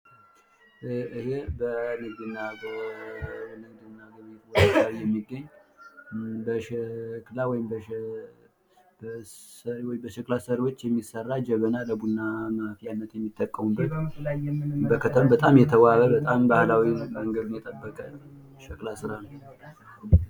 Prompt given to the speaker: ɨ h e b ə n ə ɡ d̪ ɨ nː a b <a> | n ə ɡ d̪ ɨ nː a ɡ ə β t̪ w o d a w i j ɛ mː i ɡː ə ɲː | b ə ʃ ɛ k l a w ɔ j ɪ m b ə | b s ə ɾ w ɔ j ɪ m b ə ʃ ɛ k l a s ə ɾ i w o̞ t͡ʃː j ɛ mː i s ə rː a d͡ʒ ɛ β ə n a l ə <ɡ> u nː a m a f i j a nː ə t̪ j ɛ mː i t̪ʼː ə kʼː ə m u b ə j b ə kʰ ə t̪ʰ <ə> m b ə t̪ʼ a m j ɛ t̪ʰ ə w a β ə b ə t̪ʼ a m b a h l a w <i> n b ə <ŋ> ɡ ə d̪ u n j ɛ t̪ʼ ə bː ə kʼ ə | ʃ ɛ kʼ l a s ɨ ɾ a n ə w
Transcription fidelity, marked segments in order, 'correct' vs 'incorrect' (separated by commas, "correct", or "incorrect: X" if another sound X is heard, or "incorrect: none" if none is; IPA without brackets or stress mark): incorrect: ə, incorrect: b, correct, correct, correct